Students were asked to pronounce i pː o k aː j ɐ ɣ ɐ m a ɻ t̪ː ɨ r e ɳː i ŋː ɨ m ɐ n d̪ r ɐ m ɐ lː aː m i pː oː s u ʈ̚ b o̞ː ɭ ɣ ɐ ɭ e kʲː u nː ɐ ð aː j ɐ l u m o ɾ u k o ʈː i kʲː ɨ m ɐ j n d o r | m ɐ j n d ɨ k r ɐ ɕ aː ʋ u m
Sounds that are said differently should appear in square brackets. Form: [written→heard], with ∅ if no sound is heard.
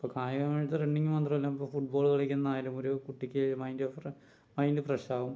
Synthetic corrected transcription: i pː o k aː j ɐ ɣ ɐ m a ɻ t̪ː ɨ r e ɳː i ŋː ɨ m ɐ n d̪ r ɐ m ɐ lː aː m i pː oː [s→f] u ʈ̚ b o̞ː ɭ ɣ ɐ ɭ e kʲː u nː ɐ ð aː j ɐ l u m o ɾ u k [o→u] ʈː i kʲː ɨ m ɐ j n d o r | m ɐ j n d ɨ [k→p] r ɐ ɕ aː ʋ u m